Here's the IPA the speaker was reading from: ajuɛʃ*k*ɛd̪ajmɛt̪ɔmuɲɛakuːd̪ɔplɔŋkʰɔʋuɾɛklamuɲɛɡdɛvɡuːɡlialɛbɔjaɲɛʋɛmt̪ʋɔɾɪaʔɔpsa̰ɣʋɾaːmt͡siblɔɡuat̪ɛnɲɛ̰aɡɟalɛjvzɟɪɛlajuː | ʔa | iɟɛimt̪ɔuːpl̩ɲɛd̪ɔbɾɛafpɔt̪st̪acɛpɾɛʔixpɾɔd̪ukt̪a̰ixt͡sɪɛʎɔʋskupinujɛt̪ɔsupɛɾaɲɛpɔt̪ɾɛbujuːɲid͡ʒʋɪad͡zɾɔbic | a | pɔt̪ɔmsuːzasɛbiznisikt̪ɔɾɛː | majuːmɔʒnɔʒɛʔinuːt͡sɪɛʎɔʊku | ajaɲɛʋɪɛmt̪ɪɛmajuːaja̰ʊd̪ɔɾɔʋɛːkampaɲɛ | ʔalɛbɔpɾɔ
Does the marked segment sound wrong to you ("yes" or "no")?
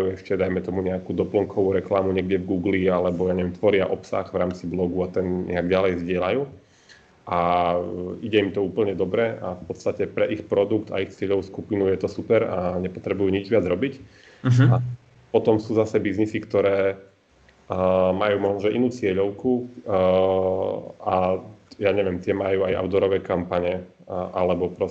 yes